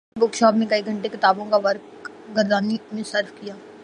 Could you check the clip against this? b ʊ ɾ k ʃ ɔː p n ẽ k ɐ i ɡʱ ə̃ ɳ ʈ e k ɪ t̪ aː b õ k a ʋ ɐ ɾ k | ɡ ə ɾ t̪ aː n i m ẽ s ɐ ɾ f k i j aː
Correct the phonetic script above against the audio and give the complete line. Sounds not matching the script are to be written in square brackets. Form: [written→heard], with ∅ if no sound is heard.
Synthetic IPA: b ʊ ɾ k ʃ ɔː p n ẽ k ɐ i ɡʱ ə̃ ɳ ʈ e k ɪ t̪ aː b õ k a ʋ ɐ ɾ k | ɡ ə ɾ [t̪→d̪] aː n i m ẽ s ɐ ɾ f k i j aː